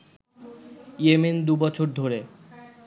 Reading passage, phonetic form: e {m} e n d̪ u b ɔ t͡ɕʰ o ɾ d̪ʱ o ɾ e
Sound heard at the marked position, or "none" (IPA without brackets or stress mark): m